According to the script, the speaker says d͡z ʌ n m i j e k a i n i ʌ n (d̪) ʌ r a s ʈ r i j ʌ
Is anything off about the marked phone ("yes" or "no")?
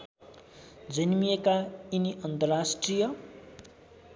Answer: yes